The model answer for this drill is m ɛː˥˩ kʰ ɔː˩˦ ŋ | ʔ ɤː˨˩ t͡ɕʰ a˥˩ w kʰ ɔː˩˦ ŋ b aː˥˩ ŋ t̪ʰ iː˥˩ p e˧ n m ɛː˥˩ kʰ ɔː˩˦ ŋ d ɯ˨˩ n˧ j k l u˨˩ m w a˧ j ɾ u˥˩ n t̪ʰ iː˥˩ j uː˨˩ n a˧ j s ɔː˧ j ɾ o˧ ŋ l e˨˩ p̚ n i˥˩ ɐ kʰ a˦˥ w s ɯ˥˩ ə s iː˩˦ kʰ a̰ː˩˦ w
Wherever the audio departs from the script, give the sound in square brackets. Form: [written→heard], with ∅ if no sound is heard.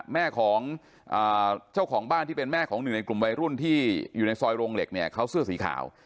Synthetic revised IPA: m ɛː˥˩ kʰ ɔː˩˦ ŋ | ʔ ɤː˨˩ t͡ɕʰ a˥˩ w kʰ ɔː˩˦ ŋ b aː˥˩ [ŋ→n] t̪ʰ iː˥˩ p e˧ n m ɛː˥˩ kʰ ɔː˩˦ ŋ [d→n] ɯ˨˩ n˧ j k l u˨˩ m w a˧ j ɾ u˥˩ n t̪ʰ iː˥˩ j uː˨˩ n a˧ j s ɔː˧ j ɾ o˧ ŋ l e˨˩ [p̚→k̚] n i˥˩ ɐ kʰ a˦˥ w s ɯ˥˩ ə s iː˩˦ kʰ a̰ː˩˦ w